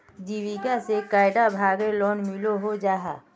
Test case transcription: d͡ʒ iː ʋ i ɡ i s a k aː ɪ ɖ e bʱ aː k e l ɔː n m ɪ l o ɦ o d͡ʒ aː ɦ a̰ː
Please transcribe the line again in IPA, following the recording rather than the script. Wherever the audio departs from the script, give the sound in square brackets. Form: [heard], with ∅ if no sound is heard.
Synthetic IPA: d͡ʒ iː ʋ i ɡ [a] s [e] k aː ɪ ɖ [a] bʱ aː [ɡ] e l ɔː n m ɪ l o ɦ o d͡ʒ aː ɦ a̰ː